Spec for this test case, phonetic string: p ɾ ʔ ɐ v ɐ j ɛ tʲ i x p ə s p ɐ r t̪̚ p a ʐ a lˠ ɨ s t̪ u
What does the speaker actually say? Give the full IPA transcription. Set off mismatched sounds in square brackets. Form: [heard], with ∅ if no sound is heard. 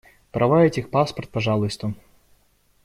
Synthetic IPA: p ɾ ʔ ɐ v [a] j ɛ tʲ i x p [a] s p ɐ r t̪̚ p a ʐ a lˠ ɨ s t̪ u